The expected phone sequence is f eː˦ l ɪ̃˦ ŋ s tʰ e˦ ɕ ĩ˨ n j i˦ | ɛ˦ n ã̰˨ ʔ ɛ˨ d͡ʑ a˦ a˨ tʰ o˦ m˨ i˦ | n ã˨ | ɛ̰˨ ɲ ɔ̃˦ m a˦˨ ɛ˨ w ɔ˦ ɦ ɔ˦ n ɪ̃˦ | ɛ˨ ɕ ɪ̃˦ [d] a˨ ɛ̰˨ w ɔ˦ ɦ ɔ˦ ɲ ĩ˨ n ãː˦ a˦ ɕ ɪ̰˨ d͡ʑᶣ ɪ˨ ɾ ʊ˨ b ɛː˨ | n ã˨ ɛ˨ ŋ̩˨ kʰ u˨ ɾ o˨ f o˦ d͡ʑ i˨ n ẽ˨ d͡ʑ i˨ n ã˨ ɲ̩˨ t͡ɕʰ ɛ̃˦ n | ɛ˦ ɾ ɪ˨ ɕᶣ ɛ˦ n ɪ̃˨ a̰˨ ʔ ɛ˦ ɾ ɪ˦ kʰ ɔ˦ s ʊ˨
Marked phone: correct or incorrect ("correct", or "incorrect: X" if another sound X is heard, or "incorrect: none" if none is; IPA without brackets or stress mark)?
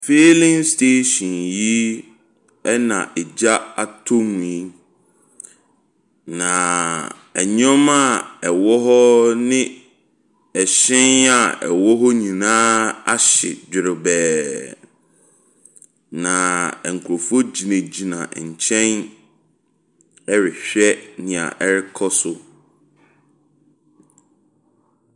incorrect: n